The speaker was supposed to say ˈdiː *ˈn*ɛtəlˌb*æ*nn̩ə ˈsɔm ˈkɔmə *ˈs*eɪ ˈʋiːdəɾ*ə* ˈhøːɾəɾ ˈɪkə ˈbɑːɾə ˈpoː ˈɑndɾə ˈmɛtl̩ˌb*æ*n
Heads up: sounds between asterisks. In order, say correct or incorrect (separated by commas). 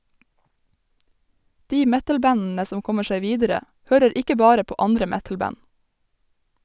incorrect, correct, incorrect, correct, correct